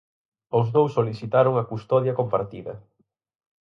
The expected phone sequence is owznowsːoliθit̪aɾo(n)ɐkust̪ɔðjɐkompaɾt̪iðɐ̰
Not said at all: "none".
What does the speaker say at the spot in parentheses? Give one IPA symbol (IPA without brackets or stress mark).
ŋ